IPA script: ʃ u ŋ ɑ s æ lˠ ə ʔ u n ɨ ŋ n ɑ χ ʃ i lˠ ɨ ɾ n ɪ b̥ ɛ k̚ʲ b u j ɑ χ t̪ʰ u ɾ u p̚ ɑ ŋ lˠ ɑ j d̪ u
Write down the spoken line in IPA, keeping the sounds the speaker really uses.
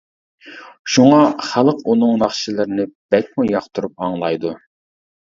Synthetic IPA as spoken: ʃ u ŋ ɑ χ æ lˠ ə q u n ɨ ŋ n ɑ χ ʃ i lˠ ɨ ɾ n ɪ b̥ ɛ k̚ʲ m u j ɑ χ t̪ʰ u ɾ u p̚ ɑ ŋ lˠ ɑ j d̪ u

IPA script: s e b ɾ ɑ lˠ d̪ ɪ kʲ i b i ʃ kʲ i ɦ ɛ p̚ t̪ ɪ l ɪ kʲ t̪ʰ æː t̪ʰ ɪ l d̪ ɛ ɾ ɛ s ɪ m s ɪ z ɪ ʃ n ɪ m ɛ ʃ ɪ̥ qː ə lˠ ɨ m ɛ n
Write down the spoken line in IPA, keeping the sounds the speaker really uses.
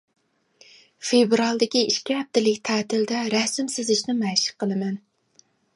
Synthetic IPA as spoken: f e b ɾ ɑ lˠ d̪ ɪ kʲ i i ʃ kʲ i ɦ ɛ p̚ t̪ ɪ l ɪ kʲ t̪ʰ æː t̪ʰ ɪ l d̪ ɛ ɾ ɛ s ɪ m s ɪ z ɪ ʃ n ɪ m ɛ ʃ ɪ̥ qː ə lˠ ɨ m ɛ n

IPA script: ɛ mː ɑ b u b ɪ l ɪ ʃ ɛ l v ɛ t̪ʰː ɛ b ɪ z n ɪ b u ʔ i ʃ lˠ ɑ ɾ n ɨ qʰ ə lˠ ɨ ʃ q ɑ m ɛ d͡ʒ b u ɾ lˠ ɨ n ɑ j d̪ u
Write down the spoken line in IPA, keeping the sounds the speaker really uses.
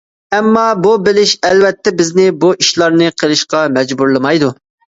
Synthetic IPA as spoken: ɛ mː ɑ b u b ɪ l ɪ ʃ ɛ l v ɛ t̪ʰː ɛ b ɪ z n ɪ b u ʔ i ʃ lˠ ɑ ɾ n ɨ qʰ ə lˠ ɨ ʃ q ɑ m ɛ d͡ʒ b u ɾ lˠ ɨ m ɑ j d̪ u

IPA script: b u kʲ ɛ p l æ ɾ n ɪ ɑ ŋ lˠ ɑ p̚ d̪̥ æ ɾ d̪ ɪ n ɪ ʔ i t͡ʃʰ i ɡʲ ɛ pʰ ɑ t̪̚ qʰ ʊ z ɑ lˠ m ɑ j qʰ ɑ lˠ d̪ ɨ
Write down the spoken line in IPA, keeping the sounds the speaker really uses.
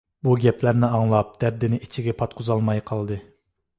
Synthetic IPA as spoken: b u ɡʲ ɛ p l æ ɾ n ɪ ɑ ŋ lˠ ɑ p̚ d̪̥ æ ɾ d̪ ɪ n ɪ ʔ i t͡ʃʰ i ɡʲ ɛ pʰ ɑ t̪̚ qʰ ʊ z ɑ lˠ m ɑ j qʰ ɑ lˠ d̪ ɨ

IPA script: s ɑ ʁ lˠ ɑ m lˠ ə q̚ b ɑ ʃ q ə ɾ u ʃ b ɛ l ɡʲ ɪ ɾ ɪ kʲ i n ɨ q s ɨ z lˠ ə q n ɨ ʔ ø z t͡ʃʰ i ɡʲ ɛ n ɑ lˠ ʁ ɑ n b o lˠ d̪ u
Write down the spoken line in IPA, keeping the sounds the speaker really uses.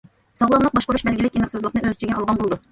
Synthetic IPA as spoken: s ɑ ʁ lˠ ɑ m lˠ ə q̚ b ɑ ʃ q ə ɾ u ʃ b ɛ l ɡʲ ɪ l ɪ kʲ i n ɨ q s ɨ z lˠ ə q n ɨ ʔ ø z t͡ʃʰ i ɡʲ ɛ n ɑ lˠ ʁ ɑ n b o lˠ d̪ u

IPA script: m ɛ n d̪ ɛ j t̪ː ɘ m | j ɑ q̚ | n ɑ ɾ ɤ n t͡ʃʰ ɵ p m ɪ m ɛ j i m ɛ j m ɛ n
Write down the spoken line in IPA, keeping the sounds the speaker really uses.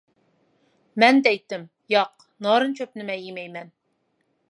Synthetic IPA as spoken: m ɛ n d̪ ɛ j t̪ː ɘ m | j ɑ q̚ | n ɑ ɾ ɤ n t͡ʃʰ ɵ p n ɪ m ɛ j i m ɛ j m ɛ n

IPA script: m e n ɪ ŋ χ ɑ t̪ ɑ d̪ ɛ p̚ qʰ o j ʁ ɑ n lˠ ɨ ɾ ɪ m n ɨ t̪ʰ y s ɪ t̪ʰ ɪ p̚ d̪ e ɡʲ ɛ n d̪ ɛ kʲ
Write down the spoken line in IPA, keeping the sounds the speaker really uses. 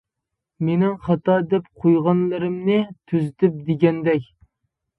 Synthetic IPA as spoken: m e n ɪ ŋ χ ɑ t̪ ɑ d̪ ɛ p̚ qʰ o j ʁ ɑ n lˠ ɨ ɾ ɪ m n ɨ t̪ʰ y z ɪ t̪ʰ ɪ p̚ d̪ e ɡʲ ɛ n d̪ ɛ kʲ

